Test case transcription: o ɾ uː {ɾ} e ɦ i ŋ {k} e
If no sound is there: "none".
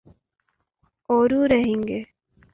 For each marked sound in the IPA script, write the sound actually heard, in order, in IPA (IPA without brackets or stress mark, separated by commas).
ɾ, ɡ